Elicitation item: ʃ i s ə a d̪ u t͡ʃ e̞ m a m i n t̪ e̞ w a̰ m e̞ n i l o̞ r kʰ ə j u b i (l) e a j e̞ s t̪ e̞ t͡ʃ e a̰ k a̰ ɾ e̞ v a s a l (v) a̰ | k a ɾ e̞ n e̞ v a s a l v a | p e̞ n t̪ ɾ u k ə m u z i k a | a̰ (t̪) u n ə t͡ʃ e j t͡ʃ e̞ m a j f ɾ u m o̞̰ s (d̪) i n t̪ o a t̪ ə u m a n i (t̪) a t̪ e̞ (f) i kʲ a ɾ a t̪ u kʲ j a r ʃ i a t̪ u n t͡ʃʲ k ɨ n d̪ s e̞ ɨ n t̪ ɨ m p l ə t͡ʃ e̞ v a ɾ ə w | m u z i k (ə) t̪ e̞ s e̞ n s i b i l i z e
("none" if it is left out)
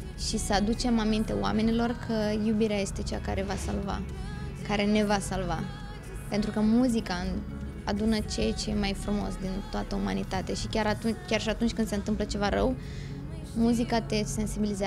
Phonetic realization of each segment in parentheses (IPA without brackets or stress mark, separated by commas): ɾ, v, d̪, d̪, t̪, ʃ, a